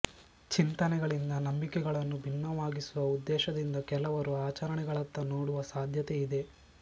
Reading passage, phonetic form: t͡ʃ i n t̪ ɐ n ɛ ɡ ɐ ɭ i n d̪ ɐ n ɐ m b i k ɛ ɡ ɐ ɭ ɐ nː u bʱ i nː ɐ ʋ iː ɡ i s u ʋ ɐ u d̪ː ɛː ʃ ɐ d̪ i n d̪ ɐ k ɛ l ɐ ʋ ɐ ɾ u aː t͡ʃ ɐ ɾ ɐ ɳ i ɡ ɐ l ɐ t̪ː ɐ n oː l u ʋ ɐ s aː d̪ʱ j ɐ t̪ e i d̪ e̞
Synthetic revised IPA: t͡ʃ i n t̪ ɐ n ɛ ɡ ɐ ɭ i n d̪ ɐ n ɐ m b i k ɛ ɡ ɐ ɭ ɐ nː u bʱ i nː ɐ ʋ aː ɡ i s u ʋ ɐ u d̪ː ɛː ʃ ɐ d̪ i n d̪ ɐ k ɛ l ɐ ʋ ɐ ɾ u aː t͡ʃ ɐ ɾ ɐ ɳ ɛ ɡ ɐ ɭ ɐ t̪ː ɐ n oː ɽ u ʋ ɐ s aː d̪ʱ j ɐ t̪ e i d̪ e̞